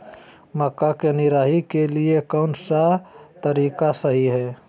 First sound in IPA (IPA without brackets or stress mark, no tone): m